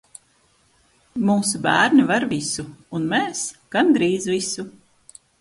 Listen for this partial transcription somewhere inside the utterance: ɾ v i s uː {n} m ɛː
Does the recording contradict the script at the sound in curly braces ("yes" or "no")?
no